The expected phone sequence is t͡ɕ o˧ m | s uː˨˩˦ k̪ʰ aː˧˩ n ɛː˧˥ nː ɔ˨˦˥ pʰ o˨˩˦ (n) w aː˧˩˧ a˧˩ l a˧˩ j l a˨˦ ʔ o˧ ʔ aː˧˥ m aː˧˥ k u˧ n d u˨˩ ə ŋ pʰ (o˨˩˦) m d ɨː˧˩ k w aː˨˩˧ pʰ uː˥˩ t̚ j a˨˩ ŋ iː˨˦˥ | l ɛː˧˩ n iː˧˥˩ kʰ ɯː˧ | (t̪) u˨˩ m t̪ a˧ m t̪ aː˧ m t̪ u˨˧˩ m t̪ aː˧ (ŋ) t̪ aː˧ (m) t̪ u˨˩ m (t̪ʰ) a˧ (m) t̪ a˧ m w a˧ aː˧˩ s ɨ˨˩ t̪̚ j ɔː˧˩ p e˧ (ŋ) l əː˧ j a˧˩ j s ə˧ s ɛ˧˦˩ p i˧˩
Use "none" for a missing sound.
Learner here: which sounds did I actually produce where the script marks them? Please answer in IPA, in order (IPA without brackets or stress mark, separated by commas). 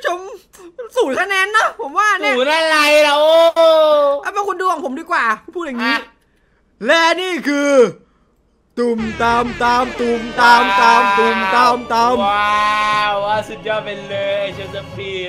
m, o˨˩˦, t̪, m, m, t̪, m, n